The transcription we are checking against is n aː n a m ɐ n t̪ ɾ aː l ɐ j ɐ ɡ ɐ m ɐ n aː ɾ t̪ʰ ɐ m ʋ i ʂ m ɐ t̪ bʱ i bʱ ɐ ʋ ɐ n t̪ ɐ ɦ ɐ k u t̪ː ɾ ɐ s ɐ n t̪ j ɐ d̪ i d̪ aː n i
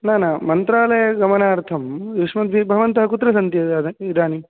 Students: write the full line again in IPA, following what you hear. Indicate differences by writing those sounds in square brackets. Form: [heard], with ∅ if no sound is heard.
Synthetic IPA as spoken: n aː n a m ɐ n t̪ ɾ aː l ɐ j ɐ ɡ ɐ m ɐ n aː ɾ t̪ʰ ɐ m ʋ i ʂ m ɐ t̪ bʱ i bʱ ɐ ʋ ɐ n t̪ ɐ ɦ ɐ k u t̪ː ɾ ɐ s ɐ n t̪ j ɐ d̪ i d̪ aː n i